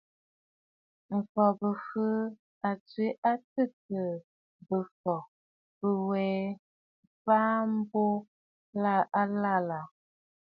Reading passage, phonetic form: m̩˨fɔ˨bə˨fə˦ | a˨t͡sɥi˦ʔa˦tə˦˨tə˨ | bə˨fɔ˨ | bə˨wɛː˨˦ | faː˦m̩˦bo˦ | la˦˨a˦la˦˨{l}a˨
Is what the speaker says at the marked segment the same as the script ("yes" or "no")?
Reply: yes